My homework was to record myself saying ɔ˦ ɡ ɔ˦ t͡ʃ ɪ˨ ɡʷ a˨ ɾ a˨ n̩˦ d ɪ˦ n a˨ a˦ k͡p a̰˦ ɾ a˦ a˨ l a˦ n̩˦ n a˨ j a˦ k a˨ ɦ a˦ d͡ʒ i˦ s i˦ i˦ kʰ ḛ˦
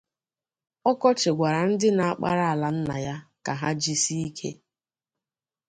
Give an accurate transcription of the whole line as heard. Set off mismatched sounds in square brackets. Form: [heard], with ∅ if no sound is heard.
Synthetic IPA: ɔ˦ [k] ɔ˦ t͡ʃ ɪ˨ ɡʷ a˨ ɾ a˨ n̩˦ d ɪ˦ n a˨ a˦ k͡p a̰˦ ɾ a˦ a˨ l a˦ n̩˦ n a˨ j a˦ k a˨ ɦ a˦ d͡ʒ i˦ s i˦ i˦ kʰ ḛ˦

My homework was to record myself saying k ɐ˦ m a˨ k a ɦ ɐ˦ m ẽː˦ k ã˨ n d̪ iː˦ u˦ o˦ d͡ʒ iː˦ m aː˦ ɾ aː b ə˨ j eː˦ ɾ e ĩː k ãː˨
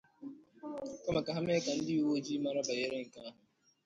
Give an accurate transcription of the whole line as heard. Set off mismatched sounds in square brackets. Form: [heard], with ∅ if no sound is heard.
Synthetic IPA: k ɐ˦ m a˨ k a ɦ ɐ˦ m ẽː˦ k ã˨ n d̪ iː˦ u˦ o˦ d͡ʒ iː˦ m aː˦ ɾ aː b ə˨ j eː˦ ɾ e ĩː k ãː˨

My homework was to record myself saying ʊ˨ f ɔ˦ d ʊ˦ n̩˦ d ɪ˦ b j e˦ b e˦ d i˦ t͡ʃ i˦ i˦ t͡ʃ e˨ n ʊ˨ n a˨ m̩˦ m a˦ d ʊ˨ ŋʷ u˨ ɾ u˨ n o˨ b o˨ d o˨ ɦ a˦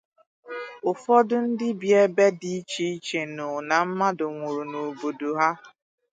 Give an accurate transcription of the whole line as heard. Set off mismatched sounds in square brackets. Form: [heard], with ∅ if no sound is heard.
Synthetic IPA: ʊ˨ f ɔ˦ d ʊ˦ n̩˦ d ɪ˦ b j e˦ b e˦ d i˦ t͡ʃ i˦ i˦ t͡ʃ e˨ n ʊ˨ n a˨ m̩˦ m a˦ d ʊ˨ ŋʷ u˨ ɾ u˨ n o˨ b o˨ d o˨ ɦ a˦

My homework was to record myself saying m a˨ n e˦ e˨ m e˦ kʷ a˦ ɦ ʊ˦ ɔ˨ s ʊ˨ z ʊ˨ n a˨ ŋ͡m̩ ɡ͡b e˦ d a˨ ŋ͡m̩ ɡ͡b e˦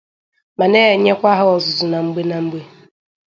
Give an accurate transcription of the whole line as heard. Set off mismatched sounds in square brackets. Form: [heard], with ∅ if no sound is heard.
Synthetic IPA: m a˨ n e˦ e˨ [ɲ] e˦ kʷ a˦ ɦ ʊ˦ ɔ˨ [z] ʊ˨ z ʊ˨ n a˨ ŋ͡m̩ ɡ͡b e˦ [n] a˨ ŋ͡m̩ ɡ͡b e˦

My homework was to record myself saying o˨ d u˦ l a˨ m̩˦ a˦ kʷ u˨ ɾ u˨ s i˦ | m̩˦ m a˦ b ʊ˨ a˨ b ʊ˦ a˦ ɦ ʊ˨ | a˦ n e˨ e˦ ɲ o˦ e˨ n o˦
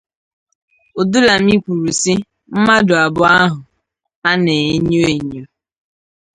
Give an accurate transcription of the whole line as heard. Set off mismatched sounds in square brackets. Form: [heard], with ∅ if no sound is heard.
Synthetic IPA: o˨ d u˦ l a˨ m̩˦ [i˦] kʷ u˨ ɾ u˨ s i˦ | m̩˦ m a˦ [d] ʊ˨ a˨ b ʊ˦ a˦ ɦ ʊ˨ | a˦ n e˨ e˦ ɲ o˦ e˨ [ɲ] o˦

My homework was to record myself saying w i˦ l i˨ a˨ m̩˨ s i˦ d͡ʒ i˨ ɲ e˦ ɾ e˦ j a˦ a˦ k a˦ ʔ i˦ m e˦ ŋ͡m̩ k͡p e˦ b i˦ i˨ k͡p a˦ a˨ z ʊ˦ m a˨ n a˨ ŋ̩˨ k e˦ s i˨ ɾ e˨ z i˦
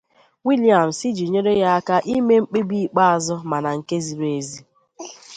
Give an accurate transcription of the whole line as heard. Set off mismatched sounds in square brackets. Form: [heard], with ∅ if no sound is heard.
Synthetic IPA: w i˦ l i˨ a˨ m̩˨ s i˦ d͡ʒ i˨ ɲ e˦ ɾ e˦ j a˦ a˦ k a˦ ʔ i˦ m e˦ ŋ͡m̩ k͡p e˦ b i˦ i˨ k͡p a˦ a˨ z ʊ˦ m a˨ n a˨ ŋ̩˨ k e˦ [z] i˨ ɾ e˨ z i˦

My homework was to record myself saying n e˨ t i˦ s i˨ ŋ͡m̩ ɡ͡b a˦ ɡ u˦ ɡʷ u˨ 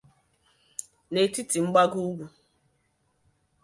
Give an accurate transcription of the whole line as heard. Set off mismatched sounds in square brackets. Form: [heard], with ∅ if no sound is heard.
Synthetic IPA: n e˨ t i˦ [t] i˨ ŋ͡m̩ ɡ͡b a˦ ɡ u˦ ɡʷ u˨

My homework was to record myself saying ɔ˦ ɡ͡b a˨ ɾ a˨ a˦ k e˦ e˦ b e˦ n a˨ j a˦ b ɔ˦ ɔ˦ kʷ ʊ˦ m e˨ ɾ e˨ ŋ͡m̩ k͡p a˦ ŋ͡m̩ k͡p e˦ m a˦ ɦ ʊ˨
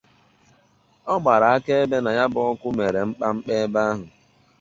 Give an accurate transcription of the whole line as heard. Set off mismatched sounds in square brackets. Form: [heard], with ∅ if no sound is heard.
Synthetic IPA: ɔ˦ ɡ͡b a˨ ɾ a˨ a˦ k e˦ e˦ b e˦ n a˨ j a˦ b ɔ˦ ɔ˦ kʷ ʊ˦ m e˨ ɾ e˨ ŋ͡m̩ k͡p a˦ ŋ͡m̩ k͡p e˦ [b] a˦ ɦ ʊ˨

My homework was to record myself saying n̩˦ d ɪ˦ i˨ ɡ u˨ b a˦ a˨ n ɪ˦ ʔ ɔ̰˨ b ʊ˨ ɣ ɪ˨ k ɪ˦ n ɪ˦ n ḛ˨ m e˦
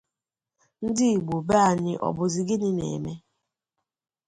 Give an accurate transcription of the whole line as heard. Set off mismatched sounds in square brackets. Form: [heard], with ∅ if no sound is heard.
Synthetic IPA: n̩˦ d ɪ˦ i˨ [ɡ͡b] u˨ b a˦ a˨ [ɲ] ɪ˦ ʔ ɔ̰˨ b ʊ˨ [z] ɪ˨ [ɡ] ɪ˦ n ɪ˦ n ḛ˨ m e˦

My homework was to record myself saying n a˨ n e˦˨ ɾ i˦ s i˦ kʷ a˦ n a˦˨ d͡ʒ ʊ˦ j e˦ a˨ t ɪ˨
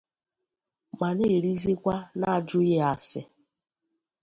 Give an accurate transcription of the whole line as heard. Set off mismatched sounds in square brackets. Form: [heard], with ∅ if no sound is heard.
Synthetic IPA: [m] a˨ n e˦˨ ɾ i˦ [z] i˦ kʷ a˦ n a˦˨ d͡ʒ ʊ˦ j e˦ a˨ [s] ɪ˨

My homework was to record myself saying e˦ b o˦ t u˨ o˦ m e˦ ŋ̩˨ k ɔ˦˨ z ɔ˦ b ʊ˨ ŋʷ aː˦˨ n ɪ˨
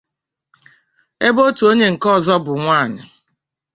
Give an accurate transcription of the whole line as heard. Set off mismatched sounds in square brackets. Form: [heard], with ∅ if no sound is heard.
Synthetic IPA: e˦ b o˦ t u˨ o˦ [ɲ] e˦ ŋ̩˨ k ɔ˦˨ z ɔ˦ b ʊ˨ ŋʷ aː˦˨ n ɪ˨

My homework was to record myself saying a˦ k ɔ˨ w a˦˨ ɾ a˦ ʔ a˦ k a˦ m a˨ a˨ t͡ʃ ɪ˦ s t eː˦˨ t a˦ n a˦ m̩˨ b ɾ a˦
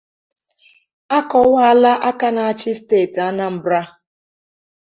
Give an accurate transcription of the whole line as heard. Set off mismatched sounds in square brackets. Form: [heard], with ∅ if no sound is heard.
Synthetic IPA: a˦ k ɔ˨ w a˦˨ [l] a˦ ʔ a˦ k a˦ [n] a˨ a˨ t͡ʃ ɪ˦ s t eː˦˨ t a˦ n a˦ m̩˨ b ɾ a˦

